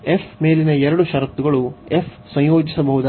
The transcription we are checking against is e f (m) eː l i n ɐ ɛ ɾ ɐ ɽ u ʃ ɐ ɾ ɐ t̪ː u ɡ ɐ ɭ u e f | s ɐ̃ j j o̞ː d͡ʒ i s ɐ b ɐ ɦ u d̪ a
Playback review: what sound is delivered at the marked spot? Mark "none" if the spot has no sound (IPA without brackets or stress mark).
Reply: m